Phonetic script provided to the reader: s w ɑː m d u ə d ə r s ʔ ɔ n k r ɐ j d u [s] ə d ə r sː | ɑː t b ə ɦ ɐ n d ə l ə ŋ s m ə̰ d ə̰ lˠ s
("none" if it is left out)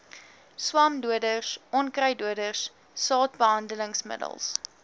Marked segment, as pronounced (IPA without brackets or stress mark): none